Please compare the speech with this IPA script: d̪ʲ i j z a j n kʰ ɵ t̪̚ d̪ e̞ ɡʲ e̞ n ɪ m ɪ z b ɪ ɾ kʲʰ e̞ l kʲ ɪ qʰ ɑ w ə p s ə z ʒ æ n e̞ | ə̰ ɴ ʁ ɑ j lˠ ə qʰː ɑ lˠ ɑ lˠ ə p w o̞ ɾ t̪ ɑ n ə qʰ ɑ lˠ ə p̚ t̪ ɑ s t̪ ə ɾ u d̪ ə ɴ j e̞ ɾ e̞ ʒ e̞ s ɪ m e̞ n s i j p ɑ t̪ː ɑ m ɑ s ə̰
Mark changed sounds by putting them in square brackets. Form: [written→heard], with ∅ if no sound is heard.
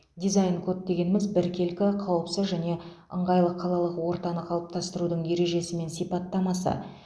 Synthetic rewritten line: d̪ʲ i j z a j n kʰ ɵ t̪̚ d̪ e̞ ɡʲ e̞ n ɪ m ɪ z b ɪ ɾ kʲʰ e̞ l kʲ ɪ qʰ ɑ w ə p s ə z ʒ æ n e̞ | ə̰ ɴ ʁ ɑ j lˠ ə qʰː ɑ lˠ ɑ lˠ ə [p→q] w o̞ ɾ t̪ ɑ n ə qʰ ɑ lˠ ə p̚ t̪ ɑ s t̪ ə ɾ u d̪ ə ɴ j e̞ ɾ e̞ ʒ e̞ s ɪ m e̞ n s i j p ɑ t̪ː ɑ m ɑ s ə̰